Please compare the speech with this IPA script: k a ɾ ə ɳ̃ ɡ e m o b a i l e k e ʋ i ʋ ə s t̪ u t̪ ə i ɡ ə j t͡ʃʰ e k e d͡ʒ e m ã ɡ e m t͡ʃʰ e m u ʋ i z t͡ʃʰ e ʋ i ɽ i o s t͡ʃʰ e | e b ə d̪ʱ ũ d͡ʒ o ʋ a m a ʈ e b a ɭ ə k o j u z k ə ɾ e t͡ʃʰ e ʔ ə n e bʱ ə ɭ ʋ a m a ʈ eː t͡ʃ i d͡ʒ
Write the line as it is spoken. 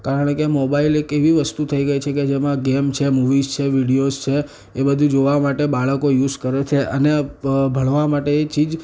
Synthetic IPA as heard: k a ɾ ə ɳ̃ k e m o b a i l e k e ʋ i ʋ ə s t̪ u t̪ʰ ə i ɡ ə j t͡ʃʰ e k e d͡ʒ e m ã ɡ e m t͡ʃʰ e m u ʋ i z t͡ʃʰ e ʋ i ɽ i o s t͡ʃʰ e | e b ə d̪ʱ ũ d͡ʒ o ʋ a m a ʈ e b a ɭ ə k o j u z k ə ɾ e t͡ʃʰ e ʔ ə n e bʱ ə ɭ ʋ a m a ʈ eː t͡ʃ i d͡ʒ